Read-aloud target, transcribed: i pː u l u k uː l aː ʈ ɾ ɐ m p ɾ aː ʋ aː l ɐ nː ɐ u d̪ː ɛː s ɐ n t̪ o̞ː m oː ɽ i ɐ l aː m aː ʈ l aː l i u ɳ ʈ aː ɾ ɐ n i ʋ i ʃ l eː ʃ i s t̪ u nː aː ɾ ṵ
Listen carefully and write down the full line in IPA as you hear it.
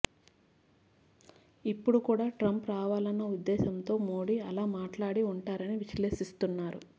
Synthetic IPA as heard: i pː u ɽ u k uː ɽ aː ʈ ɾ ɐ m p ɾ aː ʋ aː l ɐ nː ɐ u d̪ː ɛː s ɐ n t̪ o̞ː m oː ɽ i ɐ l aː m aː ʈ l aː ɽ i u ɳ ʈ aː ɾ ɐ n i ʋ i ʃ l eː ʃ i s t̪ u nː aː ɾ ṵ